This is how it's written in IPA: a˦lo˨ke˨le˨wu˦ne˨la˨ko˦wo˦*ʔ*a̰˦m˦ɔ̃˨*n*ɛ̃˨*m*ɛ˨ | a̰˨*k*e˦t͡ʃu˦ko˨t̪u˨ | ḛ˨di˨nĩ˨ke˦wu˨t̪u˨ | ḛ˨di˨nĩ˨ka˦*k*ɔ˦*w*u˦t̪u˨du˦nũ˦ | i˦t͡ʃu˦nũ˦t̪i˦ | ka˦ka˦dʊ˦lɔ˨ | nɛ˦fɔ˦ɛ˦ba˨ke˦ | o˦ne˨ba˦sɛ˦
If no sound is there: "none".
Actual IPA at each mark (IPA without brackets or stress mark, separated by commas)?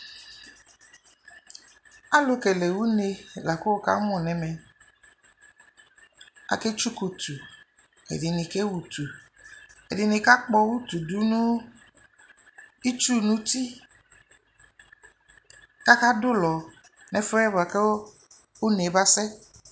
k, n, m, k, k͡p, w